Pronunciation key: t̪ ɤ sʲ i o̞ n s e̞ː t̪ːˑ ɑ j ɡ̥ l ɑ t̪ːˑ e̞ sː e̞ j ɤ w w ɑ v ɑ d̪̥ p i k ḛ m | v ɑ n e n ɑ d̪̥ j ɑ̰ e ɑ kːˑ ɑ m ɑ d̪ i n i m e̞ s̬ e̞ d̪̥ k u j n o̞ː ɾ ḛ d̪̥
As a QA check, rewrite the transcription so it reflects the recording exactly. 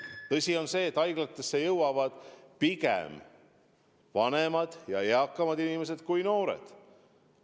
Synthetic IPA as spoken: t̪ ɤ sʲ i o̞ n s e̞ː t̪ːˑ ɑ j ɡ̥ l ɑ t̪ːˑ e̞ sː e̞ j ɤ w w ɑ v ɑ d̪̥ p i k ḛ m | v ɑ n e m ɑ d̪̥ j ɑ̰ e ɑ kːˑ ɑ m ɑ d̪ i n i m e̞ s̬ e̞ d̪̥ k u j n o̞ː ɾ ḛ d̪̥